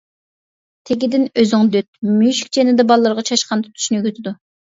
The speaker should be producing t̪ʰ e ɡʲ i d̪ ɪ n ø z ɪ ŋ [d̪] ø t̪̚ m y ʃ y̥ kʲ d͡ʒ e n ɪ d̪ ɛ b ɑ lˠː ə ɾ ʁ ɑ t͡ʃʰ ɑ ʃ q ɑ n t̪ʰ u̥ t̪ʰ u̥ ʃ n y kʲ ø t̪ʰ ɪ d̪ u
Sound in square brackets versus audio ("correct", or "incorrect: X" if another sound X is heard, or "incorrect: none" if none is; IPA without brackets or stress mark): correct